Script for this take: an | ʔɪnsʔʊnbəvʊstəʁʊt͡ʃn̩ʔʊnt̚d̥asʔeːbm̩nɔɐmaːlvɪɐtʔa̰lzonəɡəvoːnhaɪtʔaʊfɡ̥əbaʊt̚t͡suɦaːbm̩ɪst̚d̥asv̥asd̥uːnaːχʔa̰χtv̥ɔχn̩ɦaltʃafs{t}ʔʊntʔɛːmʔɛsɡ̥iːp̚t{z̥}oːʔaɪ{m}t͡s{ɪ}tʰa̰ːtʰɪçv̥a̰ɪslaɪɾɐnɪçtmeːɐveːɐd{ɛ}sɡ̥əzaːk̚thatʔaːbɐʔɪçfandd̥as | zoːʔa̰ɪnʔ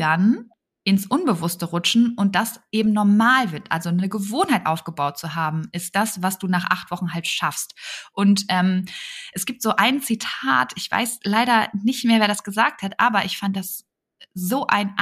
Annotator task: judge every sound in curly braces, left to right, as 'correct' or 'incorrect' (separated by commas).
correct, correct, incorrect, incorrect, incorrect